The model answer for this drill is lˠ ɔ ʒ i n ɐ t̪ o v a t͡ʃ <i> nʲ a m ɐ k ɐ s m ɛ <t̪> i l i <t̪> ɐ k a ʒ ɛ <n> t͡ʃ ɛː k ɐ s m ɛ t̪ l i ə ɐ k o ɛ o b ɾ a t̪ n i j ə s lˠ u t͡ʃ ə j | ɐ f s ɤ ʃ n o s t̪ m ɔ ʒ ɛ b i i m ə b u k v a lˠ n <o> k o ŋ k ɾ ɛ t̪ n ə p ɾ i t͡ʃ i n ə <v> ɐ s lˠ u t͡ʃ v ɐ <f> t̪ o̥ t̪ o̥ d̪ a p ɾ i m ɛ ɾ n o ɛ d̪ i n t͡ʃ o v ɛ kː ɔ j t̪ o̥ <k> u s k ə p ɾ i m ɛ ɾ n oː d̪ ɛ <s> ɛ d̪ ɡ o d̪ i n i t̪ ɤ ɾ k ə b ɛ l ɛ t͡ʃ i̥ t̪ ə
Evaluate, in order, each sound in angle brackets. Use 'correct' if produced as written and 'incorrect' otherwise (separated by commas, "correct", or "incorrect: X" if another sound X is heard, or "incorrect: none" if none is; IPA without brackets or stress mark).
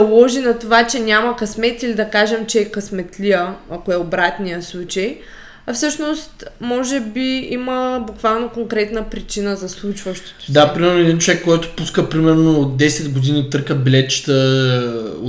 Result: incorrect: ɛ, correct, incorrect: d̪, incorrect: m, correct, incorrect: z, incorrect: ʃ, incorrect: p, correct